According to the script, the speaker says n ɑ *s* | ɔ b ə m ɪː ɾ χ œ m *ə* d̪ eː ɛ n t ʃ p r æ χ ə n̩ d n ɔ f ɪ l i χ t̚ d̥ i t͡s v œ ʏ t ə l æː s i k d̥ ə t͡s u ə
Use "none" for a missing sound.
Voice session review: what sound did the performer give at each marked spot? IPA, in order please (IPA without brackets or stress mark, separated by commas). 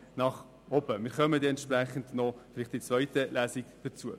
χ, ə